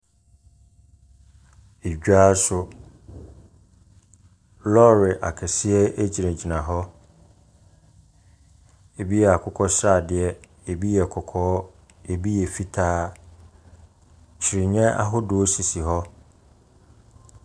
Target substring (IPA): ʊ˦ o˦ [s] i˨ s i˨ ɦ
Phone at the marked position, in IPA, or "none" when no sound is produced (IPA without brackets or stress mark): s